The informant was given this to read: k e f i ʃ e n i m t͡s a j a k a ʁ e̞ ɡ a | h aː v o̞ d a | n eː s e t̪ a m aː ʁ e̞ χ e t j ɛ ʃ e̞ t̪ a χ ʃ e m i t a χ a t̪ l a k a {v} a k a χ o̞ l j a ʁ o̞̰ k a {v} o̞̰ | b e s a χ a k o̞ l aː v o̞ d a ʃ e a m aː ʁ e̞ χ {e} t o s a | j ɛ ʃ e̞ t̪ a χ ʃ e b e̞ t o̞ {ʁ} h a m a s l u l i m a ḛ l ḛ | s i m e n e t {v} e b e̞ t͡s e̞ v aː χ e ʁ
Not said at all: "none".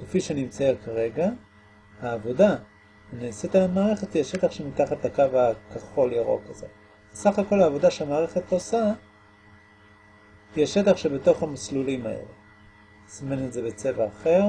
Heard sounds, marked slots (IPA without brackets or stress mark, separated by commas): v, z, e, χ, z